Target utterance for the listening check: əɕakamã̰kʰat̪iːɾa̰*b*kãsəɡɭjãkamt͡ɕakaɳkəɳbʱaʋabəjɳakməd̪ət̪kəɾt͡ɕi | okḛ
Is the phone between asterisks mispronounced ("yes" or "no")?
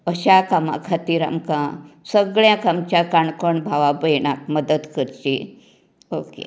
yes